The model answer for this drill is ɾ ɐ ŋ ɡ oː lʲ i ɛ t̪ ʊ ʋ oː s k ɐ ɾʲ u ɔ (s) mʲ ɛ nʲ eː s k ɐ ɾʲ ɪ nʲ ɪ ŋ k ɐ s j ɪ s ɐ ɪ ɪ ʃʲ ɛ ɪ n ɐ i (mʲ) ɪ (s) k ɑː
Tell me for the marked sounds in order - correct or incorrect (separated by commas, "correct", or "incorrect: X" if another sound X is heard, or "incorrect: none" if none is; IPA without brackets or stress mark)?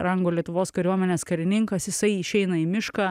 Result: incorrect: none, correct, incorrect: ʃ